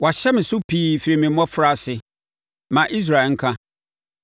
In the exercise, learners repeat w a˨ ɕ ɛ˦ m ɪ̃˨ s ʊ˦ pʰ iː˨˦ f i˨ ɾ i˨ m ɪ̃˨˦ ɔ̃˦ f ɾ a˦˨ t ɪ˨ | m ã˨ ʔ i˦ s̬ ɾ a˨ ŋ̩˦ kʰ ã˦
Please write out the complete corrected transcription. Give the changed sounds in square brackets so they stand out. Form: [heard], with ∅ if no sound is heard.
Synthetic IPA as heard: w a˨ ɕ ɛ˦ m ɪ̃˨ s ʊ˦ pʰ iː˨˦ f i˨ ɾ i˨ m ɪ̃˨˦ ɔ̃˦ f ɾ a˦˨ [s] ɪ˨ | m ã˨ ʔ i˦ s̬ ɾ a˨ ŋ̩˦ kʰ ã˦